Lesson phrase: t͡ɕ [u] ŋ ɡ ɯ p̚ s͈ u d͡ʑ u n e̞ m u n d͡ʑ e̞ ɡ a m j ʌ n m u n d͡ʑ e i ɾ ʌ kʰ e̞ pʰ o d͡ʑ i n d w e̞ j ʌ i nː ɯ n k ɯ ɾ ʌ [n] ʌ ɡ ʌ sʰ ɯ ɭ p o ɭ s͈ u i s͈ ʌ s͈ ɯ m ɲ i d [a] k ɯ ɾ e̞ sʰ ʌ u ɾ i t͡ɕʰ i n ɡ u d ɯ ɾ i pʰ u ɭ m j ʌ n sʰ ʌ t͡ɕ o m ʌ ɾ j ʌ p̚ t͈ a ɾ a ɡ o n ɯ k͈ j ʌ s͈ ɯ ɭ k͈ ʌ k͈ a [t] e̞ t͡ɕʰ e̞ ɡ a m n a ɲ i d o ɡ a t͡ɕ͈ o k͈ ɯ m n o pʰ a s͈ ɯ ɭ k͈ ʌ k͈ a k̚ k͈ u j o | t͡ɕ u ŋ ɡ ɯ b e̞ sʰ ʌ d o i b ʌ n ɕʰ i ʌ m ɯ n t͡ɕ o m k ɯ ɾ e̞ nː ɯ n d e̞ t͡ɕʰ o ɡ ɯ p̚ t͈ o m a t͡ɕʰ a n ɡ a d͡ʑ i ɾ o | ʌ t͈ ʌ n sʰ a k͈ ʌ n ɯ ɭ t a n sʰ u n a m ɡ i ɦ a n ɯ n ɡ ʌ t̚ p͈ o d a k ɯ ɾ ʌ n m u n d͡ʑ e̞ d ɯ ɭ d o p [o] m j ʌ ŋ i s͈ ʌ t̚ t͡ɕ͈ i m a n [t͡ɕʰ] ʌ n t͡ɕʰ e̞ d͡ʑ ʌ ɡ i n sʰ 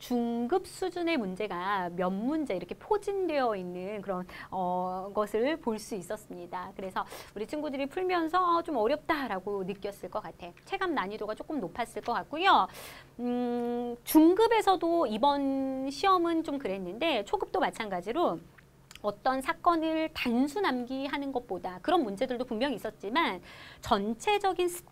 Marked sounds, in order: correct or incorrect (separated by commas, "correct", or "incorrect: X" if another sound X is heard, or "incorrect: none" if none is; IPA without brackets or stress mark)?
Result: correct, correct, correct, incorrect: tʰ, incorrect: u, incorrect: t͡ɕ